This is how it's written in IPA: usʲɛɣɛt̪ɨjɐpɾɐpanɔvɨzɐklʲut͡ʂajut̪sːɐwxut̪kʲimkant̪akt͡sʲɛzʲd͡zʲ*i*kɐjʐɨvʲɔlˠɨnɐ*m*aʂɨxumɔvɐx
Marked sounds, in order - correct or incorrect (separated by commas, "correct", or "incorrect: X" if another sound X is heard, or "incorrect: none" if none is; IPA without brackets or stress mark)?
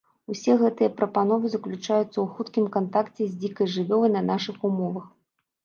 correct, incorrect: n